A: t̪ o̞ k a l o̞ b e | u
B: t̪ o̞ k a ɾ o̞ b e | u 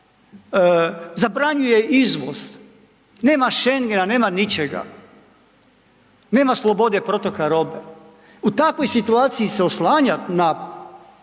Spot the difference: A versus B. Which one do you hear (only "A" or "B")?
B